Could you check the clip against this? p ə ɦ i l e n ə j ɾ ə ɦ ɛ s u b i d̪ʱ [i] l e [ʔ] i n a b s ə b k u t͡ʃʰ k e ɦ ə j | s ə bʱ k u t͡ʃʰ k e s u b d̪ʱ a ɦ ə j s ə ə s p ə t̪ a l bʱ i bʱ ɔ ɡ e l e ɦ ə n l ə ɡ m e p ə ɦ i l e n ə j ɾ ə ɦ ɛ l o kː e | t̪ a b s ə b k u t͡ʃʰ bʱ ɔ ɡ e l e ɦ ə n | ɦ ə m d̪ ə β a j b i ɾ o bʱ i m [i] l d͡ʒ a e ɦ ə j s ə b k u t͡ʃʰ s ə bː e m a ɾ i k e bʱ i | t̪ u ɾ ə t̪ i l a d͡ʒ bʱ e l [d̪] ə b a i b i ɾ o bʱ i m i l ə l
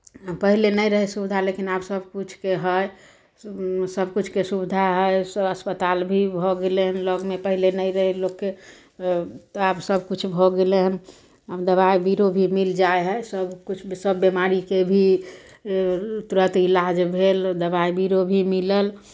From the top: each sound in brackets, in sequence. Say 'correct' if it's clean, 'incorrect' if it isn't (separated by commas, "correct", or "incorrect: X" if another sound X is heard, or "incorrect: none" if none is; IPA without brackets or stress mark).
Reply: incorrect: a, incorrect: k, correct, correct